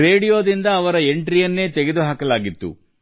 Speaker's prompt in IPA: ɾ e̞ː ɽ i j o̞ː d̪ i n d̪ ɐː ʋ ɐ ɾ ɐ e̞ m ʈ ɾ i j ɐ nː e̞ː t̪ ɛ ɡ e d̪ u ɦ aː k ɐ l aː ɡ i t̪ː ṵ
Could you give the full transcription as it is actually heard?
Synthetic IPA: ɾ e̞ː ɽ i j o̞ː d̪ i n d̪ ɐː ʋ ɐ ɾ ɐ e̞ ɳ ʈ ɾ i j ɐ nː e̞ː t̪ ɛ ɡ e d̪ u ɦ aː k ɐ l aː ɡ i t̪ː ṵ